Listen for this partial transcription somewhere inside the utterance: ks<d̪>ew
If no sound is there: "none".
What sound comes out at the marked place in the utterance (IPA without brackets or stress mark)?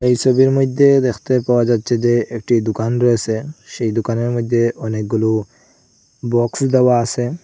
d̪